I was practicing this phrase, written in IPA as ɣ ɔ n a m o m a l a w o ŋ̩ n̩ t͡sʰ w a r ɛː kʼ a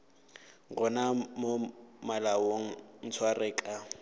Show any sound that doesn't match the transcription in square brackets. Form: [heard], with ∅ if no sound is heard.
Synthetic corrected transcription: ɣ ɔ n a m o m a l a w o ŋ̩ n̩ t͡sʰ w a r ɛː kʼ a